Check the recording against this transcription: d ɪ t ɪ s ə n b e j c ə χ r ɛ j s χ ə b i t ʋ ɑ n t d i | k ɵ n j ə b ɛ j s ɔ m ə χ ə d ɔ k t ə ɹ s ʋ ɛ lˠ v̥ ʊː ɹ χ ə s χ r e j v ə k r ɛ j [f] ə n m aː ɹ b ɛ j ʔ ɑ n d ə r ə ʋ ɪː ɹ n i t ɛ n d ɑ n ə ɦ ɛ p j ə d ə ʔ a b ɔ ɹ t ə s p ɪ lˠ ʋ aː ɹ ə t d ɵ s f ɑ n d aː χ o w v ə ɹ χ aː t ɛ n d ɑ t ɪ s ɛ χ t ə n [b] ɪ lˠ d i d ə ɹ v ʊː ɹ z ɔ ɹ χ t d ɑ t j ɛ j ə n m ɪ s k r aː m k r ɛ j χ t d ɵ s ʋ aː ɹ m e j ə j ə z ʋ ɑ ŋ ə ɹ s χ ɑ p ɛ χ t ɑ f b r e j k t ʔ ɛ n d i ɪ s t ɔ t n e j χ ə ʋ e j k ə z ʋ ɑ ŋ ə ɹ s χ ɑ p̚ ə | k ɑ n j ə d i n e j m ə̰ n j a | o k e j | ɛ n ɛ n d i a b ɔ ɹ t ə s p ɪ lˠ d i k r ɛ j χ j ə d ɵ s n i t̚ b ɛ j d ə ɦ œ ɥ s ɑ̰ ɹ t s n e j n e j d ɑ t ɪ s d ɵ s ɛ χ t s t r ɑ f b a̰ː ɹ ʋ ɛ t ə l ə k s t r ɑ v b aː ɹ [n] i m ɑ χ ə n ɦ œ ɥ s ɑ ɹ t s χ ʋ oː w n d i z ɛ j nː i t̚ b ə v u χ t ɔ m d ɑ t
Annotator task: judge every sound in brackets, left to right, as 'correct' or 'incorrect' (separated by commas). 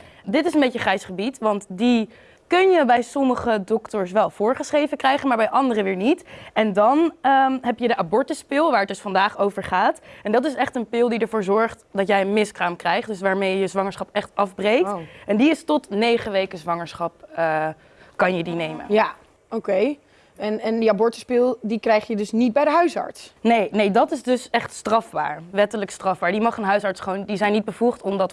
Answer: incorrect, incorrect, incorrect